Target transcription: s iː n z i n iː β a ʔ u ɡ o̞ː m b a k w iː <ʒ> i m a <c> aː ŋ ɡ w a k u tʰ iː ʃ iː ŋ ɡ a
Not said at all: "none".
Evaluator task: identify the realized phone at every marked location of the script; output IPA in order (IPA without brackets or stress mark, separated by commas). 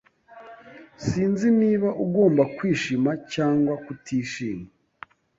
ʃ, c